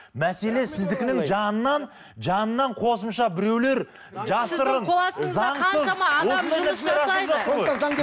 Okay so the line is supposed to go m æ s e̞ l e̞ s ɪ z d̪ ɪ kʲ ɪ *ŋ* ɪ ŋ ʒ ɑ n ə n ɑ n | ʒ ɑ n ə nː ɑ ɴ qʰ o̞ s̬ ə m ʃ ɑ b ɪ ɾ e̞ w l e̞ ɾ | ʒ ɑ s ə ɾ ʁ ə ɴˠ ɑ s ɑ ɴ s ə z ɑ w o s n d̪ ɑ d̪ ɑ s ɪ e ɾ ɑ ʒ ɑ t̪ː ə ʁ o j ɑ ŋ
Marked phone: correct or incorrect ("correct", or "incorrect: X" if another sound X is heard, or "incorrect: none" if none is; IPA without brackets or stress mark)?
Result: incorrect: n